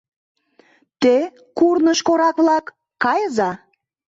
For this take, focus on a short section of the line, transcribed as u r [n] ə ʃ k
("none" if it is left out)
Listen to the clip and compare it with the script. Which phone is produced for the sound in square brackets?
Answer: n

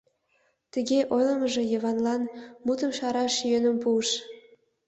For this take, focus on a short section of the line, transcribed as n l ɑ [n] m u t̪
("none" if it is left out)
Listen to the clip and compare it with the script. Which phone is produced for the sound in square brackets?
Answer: n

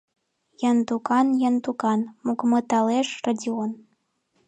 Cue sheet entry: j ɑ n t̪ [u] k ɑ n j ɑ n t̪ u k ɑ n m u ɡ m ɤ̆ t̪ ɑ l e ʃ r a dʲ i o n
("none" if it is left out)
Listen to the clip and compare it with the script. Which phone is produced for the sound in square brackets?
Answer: u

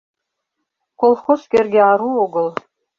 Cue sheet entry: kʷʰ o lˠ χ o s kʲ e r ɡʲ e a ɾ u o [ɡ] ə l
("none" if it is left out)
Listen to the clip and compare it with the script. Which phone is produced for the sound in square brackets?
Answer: ɡ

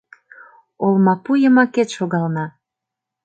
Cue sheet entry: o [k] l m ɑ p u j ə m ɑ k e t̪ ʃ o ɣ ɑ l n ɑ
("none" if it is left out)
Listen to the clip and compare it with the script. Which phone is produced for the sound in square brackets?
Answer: none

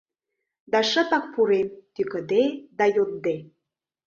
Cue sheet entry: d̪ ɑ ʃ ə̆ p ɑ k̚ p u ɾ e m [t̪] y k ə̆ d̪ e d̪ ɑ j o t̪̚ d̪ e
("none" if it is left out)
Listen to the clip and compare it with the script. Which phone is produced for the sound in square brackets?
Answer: t̪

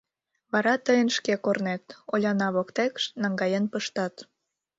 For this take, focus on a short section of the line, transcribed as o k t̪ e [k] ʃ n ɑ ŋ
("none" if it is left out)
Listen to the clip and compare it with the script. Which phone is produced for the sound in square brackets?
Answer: k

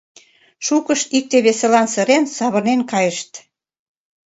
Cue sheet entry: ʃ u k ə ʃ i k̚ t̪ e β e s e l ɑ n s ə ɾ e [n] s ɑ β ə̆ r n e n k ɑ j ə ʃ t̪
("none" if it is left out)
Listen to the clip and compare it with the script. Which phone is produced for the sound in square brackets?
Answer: n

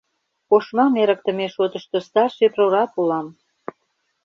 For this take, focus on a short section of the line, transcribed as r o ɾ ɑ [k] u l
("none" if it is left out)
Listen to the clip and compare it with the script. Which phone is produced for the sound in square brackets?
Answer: p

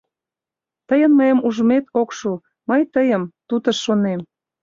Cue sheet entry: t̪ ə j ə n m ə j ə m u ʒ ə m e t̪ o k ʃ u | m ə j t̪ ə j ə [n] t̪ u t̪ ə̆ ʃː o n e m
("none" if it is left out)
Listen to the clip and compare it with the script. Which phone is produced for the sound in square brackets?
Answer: m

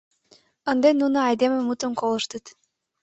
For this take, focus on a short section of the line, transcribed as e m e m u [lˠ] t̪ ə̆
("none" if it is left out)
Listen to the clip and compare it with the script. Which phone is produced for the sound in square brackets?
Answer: none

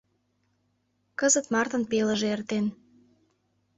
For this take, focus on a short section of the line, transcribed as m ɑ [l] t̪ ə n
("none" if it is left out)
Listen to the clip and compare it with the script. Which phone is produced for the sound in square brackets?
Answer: r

